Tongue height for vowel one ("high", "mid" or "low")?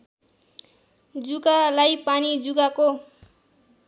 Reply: high